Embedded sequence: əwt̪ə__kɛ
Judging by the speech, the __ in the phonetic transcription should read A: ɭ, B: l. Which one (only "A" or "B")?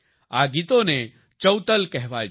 B